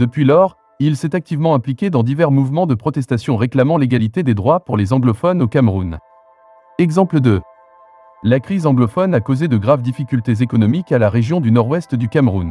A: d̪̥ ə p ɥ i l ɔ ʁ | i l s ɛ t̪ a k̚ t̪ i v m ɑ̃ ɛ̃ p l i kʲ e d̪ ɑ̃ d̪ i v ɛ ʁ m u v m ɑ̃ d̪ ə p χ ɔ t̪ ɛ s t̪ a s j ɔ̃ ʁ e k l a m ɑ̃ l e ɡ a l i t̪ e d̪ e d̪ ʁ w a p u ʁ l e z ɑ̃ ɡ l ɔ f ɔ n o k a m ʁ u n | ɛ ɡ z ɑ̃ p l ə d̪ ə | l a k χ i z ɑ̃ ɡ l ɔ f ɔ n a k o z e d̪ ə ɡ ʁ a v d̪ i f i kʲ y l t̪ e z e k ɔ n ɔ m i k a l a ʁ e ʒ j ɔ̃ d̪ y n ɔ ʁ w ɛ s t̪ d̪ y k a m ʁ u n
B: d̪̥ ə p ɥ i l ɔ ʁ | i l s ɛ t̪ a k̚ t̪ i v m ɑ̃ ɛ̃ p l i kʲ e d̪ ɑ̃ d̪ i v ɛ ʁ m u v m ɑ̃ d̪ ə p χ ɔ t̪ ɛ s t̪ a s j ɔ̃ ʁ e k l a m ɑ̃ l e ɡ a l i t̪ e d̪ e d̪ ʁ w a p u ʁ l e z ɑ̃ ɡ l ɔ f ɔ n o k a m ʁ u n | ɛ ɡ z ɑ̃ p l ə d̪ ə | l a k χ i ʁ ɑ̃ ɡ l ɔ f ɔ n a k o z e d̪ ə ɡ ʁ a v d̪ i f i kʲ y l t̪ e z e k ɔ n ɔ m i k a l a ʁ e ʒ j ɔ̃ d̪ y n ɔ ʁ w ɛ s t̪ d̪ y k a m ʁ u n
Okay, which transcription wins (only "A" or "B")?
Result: A